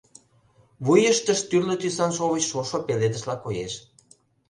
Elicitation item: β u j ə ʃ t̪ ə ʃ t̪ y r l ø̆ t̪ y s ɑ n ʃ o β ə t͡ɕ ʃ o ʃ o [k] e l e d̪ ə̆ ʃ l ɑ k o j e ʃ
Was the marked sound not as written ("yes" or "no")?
yes